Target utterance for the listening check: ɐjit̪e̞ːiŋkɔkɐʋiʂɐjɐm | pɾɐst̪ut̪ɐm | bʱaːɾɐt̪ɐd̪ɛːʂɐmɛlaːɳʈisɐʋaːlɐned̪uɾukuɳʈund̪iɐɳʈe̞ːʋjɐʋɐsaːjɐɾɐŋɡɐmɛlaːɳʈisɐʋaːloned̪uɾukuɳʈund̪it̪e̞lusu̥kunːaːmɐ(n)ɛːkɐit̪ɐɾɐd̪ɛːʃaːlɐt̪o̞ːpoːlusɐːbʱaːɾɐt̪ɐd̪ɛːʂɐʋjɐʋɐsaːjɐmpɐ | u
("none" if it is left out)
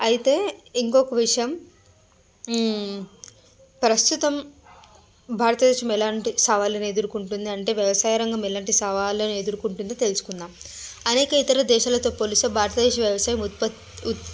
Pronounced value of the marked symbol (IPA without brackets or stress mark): n